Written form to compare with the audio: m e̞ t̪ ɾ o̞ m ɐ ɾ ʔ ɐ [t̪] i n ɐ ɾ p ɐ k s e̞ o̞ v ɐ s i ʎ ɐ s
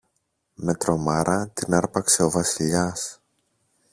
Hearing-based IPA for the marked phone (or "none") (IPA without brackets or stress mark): t̪